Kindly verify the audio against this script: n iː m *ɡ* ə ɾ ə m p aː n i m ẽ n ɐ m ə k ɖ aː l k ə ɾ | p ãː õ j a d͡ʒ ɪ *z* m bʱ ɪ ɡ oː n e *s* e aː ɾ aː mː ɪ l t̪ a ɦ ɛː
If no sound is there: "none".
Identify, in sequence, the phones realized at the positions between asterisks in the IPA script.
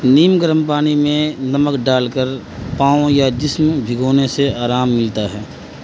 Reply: ɡ, s, s

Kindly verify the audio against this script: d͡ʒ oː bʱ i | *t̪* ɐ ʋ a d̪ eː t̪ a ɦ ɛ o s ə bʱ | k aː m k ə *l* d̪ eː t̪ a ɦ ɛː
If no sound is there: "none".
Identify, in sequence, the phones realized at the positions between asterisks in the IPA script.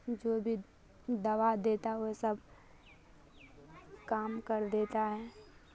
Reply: d̪, ɾ

